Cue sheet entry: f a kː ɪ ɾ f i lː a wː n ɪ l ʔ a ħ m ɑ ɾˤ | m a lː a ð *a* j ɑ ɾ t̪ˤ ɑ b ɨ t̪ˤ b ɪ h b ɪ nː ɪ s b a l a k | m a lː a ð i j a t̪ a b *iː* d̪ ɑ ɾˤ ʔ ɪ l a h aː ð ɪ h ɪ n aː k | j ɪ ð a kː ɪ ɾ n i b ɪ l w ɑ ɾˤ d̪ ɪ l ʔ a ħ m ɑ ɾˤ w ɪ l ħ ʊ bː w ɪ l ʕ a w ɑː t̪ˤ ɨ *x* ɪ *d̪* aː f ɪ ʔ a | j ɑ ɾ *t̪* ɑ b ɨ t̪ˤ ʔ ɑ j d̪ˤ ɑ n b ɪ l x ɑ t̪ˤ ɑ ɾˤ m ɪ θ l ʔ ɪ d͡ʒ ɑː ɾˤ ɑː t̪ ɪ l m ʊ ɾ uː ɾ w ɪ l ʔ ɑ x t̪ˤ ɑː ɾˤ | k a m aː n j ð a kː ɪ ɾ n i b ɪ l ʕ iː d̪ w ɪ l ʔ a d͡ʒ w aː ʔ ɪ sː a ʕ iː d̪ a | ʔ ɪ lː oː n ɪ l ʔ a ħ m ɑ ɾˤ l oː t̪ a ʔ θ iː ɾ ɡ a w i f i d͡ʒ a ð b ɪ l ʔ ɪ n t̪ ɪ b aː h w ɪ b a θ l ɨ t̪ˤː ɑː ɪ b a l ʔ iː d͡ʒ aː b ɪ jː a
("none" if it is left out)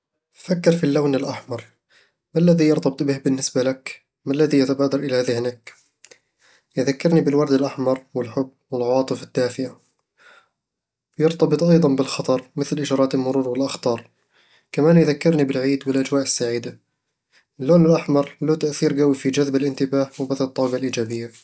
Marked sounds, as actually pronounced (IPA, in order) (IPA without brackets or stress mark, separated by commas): i, aː, f, d̪ː, t̪